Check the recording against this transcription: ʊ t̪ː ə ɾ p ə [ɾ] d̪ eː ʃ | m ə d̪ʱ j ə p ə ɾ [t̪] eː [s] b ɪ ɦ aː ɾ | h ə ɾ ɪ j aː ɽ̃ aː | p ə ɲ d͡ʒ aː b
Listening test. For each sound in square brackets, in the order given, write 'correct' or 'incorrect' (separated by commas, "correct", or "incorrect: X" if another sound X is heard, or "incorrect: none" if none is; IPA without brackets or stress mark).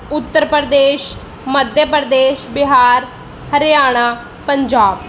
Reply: correct, incorrect: d̪, incorrect: ʃ